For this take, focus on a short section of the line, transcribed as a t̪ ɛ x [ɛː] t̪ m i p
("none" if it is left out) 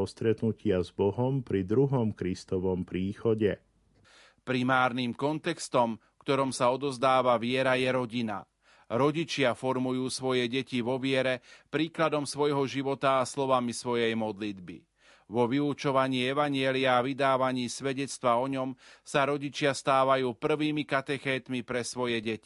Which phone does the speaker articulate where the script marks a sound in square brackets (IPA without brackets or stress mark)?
ɛː